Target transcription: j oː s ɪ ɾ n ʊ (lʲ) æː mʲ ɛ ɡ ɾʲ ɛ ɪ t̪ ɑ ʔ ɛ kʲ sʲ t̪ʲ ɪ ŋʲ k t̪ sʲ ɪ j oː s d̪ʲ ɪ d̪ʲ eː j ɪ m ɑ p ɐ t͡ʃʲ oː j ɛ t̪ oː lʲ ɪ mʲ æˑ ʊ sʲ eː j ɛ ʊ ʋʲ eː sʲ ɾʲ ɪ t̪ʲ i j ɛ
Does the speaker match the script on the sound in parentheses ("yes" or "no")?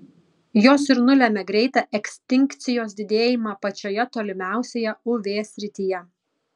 yes